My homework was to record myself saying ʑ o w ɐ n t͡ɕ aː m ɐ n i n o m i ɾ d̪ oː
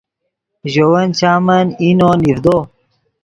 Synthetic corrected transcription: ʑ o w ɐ n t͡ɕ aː m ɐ n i n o n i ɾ d̪ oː